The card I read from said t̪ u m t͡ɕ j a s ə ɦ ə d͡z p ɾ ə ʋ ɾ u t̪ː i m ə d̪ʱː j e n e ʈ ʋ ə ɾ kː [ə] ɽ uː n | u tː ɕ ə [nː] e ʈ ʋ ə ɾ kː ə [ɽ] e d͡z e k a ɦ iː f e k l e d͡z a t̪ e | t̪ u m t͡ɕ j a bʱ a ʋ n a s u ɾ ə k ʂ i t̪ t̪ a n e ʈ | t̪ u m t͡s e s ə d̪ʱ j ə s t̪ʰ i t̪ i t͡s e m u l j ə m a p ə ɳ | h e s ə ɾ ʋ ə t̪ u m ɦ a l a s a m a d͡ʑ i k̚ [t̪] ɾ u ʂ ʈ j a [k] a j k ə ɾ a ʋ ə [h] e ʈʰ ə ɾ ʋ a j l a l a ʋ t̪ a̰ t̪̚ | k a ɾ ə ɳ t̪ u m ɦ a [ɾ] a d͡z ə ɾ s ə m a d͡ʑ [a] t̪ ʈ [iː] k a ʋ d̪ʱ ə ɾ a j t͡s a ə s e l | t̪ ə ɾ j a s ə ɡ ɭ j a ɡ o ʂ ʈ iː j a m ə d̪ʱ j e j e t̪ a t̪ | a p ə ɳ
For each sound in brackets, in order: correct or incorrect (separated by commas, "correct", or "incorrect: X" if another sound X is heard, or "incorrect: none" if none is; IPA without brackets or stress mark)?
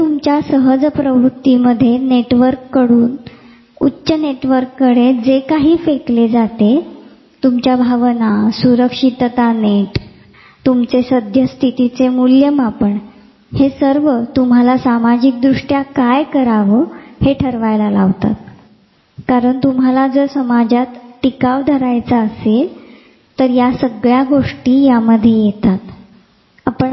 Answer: correct, incorrect: n, correct, incorrect: d̪, correct, correct, incorrect: l, correct, incorrect: i